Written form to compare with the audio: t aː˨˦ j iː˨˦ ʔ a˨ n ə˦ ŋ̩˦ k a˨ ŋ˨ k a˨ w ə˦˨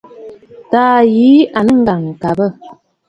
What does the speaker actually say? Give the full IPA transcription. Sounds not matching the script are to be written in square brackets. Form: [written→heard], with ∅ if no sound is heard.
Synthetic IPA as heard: t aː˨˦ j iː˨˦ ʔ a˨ n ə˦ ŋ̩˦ [k→ɡ] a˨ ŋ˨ k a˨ [w→b] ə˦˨